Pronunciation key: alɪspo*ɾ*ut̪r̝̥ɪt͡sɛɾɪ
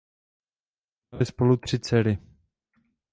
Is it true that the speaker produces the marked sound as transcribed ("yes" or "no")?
no